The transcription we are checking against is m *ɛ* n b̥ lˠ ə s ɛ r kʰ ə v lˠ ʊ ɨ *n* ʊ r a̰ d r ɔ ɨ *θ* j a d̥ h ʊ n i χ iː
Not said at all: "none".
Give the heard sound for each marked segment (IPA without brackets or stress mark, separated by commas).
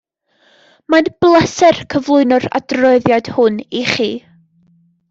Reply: a, n, ð